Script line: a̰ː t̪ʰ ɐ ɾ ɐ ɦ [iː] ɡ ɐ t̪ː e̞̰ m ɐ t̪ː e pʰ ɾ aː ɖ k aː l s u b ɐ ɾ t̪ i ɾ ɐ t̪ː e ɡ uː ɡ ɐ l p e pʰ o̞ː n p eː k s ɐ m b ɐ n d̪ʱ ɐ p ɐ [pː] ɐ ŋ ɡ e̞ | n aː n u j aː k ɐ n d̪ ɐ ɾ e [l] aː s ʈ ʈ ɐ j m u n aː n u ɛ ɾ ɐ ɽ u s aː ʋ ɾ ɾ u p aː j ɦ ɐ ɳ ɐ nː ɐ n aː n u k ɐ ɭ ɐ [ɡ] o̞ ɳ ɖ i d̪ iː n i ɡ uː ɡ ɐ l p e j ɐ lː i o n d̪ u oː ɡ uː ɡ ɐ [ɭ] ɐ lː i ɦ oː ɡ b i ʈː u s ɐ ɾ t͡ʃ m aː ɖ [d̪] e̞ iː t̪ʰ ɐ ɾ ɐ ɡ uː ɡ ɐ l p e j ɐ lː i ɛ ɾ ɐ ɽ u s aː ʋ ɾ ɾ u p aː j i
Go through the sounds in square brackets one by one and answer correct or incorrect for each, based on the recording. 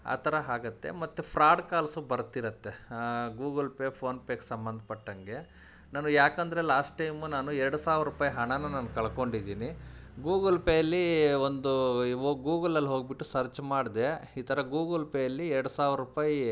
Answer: incorrect: aː, incorrect: ʈː, correct, incorrect: k, incorrect: l, correct

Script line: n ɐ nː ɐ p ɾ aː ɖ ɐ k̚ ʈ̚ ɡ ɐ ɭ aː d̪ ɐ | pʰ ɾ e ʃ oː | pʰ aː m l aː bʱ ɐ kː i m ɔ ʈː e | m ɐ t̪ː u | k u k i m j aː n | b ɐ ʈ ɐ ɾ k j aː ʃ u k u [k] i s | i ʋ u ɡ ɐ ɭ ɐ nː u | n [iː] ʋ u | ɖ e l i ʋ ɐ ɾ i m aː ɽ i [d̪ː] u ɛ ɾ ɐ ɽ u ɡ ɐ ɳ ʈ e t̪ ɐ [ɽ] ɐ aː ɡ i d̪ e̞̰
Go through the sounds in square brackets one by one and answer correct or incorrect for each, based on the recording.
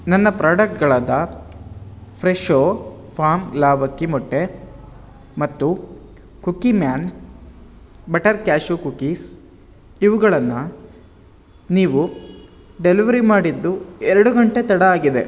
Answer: correct, correct, correct, correct

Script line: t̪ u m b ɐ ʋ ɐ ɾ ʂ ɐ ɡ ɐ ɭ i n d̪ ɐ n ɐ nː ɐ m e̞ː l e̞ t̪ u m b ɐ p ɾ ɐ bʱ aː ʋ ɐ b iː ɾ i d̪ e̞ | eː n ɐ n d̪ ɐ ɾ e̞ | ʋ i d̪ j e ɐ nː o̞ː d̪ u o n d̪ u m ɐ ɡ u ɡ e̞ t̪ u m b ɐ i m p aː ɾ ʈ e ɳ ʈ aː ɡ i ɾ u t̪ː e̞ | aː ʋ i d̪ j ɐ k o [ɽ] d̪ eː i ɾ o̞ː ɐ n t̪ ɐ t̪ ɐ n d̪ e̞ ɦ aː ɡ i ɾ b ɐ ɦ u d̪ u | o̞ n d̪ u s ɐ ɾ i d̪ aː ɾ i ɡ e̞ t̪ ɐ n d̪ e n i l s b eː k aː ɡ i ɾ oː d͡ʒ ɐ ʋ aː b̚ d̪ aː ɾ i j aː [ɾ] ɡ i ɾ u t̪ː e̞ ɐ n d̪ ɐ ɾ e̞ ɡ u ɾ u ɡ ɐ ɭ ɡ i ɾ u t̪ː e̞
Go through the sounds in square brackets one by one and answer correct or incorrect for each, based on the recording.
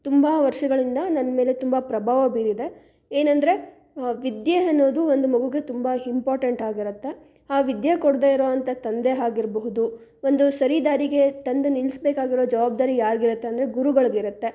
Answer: correct, correct

